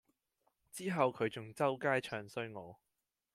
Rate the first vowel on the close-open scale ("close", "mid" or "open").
close